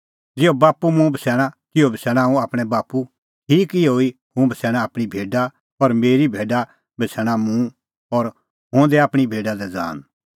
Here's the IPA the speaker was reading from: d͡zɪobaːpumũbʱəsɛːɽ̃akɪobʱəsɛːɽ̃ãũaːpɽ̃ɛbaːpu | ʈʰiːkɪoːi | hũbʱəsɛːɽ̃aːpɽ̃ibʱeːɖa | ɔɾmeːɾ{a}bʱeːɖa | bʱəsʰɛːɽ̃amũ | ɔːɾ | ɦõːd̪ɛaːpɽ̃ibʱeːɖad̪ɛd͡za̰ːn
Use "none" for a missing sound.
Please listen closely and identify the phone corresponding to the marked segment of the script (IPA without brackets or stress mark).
i